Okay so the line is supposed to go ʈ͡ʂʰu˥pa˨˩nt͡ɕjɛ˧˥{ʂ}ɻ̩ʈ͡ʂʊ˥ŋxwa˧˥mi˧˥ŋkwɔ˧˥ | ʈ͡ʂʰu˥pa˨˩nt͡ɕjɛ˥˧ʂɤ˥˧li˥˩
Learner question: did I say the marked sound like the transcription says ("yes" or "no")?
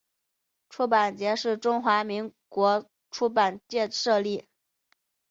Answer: yes